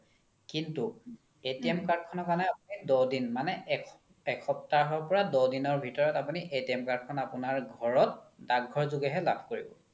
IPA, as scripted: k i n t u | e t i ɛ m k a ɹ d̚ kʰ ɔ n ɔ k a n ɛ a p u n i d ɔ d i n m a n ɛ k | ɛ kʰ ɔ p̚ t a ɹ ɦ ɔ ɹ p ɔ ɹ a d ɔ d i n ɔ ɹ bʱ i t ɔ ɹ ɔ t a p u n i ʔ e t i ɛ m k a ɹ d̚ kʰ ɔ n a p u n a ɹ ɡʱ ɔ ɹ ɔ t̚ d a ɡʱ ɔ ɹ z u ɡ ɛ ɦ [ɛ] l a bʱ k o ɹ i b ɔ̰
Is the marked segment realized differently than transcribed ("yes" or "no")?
no